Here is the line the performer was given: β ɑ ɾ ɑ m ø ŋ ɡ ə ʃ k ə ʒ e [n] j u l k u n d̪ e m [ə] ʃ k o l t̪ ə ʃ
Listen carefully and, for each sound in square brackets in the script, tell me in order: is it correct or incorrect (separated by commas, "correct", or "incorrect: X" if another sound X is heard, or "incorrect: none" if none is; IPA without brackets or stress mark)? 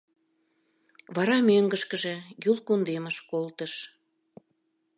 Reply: incorrect: none, correct